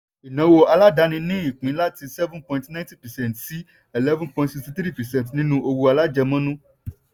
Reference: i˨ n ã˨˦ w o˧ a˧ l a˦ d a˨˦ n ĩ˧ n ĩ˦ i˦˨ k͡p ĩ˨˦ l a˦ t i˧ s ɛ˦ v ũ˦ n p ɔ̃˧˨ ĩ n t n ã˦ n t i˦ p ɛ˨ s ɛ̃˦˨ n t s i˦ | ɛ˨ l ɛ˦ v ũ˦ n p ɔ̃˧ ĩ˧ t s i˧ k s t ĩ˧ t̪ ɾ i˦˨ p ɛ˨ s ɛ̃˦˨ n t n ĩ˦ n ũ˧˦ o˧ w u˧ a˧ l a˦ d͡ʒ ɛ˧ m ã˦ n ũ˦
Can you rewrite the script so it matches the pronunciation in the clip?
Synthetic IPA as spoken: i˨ n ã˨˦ w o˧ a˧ l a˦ d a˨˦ n ĩ˧ n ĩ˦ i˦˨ k͡p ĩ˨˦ l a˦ t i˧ s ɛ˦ v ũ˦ n p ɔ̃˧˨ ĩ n t n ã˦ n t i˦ p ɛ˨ s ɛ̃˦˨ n t s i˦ | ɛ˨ l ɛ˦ v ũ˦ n p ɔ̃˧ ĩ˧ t s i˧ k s t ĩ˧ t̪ ɾ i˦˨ p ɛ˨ s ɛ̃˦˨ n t n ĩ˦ n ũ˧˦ o˧ w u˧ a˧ l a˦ d͡ʒ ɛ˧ m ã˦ n ũ˦